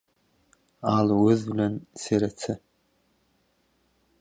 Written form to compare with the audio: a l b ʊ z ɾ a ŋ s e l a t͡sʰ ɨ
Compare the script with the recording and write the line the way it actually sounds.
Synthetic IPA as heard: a l w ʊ z l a n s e ɾ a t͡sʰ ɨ